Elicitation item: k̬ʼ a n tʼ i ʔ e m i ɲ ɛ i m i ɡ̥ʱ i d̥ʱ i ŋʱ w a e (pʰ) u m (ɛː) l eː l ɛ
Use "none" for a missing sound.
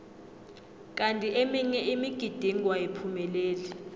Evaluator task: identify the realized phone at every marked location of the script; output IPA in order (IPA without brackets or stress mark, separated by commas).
pʰ, ɛ